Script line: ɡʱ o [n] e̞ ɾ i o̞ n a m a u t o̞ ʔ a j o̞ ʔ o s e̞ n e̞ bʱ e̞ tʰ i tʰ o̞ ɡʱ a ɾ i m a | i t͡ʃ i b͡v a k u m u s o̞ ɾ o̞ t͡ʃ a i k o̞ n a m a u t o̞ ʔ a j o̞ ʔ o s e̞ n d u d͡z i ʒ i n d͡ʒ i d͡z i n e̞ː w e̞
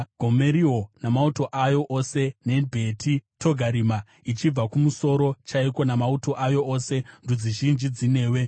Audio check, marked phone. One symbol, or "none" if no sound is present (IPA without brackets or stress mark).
m